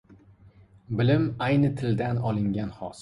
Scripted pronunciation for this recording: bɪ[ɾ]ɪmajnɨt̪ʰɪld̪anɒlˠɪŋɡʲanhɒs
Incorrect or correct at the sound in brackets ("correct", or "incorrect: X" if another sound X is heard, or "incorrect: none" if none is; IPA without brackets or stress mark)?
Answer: incorrect: l